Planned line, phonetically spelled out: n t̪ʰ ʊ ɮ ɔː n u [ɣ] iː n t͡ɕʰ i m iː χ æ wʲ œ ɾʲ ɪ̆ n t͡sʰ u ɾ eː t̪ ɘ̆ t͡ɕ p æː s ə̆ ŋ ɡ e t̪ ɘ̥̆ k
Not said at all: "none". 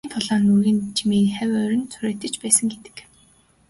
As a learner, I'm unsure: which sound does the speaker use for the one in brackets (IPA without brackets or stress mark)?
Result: ɣ